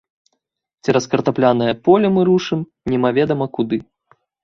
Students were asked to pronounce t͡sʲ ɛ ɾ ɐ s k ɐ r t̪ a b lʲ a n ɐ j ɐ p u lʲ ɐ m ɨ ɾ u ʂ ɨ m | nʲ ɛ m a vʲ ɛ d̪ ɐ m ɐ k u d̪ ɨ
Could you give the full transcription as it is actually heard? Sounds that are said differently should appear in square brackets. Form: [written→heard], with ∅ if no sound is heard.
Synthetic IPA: t͡sʲ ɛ ɾ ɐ s k ɐ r t̪ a [b→p] lʲ a n ɐ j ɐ p [u→ɔ] lʲ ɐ m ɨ ɾ u ʂ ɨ m | nʲ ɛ m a vʲ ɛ d̪ ɐ m ɐ k u d̪ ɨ